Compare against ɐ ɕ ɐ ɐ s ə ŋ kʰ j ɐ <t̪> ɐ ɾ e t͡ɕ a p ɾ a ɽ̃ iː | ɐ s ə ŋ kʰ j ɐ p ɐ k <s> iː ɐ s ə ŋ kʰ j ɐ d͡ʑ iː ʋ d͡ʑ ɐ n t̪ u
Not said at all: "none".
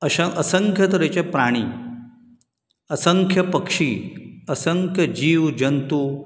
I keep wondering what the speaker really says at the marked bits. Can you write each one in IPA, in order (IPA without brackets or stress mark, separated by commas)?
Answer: t̪, ʂ